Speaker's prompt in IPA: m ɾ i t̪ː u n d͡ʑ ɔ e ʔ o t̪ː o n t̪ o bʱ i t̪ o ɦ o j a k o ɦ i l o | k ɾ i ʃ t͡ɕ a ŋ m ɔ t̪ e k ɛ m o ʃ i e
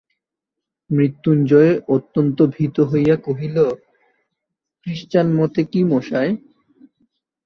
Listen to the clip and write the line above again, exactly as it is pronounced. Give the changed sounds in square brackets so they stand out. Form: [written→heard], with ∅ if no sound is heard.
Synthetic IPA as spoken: m ɾ i t̪ː u n d͡ʑ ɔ e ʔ o t̪ː o n t̪ o bʱ i t̪ o ɦ o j a k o ɦ i l o | k ɾ i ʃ t͡ɕ a [ŋ→n] m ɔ t̪ e k [ɛ→i] m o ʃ [i→a] e